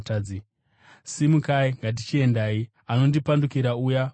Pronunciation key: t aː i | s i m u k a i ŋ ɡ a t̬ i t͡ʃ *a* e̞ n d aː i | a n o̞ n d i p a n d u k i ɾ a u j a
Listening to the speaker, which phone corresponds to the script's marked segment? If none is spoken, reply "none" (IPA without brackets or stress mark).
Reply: i